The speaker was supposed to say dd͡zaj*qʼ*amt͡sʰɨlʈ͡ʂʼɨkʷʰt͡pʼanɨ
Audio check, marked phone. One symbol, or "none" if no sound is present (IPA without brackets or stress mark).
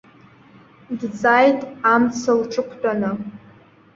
tʼ